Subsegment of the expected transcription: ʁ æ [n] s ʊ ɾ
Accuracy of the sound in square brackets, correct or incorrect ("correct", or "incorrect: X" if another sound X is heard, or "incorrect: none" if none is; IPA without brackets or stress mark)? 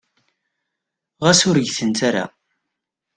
incorrect: none